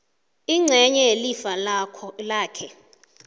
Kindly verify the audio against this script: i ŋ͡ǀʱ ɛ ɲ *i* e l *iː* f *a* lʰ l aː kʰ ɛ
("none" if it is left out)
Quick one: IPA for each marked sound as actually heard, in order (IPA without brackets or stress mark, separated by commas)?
ɛ, i, a